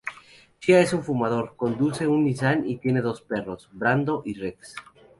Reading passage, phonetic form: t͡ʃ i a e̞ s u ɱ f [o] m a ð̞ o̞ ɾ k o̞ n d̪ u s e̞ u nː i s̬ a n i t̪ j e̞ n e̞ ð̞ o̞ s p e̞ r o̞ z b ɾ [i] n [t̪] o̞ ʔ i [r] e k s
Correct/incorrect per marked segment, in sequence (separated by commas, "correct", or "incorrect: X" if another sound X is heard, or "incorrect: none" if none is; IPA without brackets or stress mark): incorrect: u, incorrect: a, incorrect: d̪, correct